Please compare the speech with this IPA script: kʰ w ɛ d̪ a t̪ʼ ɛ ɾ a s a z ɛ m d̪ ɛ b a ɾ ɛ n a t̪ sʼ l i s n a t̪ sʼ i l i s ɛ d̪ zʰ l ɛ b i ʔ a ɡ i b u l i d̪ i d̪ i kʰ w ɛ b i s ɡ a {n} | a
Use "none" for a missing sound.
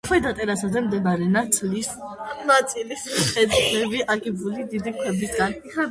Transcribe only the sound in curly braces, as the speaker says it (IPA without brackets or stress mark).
n